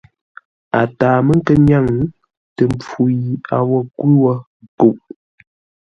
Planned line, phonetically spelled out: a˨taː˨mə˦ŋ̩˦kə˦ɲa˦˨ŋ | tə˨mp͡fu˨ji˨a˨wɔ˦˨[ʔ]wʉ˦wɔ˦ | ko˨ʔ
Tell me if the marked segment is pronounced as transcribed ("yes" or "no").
no